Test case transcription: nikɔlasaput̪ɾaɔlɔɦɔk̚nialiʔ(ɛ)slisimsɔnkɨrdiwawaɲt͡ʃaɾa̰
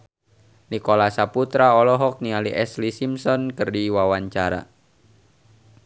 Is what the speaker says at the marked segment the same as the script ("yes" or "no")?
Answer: yes